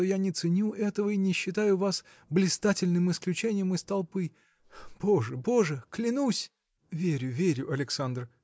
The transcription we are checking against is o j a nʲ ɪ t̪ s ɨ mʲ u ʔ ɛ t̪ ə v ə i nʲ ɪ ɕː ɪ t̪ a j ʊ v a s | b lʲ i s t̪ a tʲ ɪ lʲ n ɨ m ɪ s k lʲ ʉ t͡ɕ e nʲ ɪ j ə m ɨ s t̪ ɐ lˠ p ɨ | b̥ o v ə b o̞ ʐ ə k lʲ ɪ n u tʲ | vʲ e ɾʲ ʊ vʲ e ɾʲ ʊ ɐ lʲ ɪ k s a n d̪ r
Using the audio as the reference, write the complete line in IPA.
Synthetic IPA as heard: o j a nʲ ɪ t̪ s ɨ nʲ u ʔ ɛ t̪ ə v ə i nʲ ɪ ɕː ɪ t̪ a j ʊ v a s | b lʲ ɪ s t̪ a tʲ ɪ lʲ n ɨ m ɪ s k lʲ ʉ t͡ɕ e nʲ ɪ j ə m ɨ s t̪ ɐ lˠ p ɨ | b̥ o ʐ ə b o̞ ʐ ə k lʲ ɪ n u sʲ | vʲ e ɾʲ ʊ vʲ e ɾʲ ʊ ɐ lʲ ɪ k s a n d̪ r

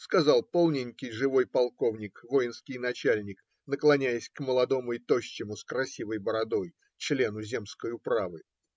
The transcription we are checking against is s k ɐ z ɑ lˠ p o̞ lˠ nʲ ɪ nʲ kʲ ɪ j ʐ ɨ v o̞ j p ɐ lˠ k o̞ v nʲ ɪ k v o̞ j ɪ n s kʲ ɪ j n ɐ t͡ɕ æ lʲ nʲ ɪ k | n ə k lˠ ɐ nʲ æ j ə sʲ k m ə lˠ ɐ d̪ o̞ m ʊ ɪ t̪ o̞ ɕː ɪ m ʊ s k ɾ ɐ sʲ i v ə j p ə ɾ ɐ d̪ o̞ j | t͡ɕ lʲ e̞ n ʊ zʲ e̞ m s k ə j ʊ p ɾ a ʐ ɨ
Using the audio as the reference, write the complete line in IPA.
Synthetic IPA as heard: s k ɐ z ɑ lˠ p o̞ lˠ nʲ ɪ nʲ kʲ ɪ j ʐ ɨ v o̞ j p ɐ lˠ k o̞ v nʲ ɪ k v o̞ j ɪ n s kʲ ɪ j n ɐ t͡ɕ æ lʲ nʲ ɪ k | n ə k lˠ ɐ nʲ æ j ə sʲ k m ə lˠ ɐ d̪ o̞ m ʊ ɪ t̪ o̞ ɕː ɪ m ʊ s k ɾ ɐ sʲ i v ə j b ə ɾ ɐ d̪ o̞ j | t͡ɕ lʲ e̞ n ʊ zʲ e̞ m s k ə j ʊ p ɾ a v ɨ

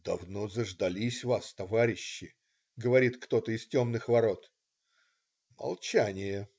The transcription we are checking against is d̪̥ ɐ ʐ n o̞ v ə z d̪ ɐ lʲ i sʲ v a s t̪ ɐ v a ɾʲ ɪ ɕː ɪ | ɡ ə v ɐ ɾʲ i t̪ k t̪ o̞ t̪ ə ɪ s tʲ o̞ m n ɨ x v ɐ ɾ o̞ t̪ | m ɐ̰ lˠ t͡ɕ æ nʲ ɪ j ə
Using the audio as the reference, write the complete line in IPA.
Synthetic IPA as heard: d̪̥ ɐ v n o̞ z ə ʐ d̪ ɐ lʲ i sʲ v a s t̪ ɐ v a ɾʲ ɪ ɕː ɪ | ɡ ə v ɐ ɾʲ i t̪ k t̪ o̞ t̪ ə ɪ s tʲ o̞ m n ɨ x v ɐ ɾ o̞ t̪ | m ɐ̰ lˠ t͡ɕ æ nʲ ɪ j ə

